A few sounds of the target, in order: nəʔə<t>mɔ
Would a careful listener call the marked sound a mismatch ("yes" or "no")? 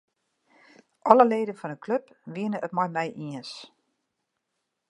no